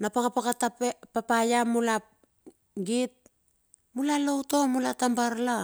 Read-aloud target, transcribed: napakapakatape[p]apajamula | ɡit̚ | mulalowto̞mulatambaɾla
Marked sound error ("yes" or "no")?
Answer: no